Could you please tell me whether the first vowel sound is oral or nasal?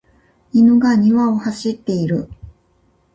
oral